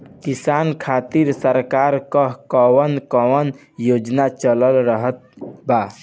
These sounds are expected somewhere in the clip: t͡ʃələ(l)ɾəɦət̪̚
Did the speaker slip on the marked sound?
no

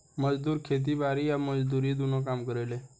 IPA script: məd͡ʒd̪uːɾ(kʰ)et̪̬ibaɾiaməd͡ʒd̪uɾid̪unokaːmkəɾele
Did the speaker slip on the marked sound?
no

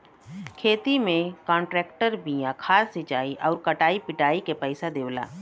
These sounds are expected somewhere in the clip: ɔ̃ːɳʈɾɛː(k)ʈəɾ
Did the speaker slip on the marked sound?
no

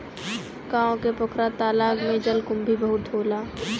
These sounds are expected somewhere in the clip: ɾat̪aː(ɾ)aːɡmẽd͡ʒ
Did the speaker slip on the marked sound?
yes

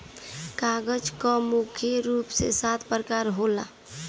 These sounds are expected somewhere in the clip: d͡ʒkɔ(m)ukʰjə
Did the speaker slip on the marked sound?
no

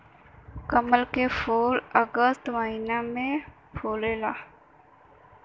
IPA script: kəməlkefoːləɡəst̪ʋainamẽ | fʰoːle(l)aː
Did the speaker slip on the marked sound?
no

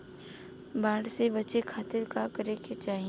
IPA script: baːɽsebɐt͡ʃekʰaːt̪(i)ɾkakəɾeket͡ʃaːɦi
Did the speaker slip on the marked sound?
yes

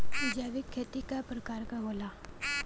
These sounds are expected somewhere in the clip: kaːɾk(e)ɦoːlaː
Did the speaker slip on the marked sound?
yes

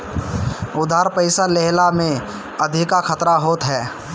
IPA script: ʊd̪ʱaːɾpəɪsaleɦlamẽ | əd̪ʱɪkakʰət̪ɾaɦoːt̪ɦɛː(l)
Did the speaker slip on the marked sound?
yes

